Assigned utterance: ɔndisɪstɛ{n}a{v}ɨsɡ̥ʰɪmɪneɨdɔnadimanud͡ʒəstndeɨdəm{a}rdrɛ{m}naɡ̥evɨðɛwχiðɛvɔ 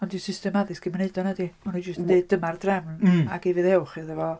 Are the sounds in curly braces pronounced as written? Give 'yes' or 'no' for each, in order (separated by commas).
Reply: no, no, yes, yes